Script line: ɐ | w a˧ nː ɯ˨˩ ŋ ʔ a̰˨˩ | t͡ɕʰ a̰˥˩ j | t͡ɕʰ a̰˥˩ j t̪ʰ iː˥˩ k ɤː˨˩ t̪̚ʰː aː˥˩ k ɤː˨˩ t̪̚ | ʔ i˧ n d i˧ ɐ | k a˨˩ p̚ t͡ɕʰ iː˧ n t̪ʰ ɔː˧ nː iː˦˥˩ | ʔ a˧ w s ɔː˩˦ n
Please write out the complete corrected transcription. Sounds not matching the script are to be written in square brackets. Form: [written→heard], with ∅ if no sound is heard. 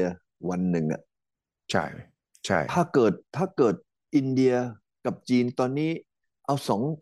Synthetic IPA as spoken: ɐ | w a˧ nː ɯ˨˩ ŋ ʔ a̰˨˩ | t͡ɕʰ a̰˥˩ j | t͡ɕʰ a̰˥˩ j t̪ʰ [iː˥˩→aː˥˩] k ɤː˨˩ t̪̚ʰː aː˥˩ k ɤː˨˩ t̪̚ | ʔ i˧ n d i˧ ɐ | k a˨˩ p̚ [t͡ɕʰ→t͡ɕ] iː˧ n [t̪ʰ→t̪] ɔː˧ nː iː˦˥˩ | ʔ a˧ w s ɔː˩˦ [n→ŋ]